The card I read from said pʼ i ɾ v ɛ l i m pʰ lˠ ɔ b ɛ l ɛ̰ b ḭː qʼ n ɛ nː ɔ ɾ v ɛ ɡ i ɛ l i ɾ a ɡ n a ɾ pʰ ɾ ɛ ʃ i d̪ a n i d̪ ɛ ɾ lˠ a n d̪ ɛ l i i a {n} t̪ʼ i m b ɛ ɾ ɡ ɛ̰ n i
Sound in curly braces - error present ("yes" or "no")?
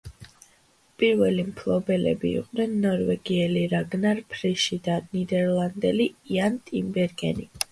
no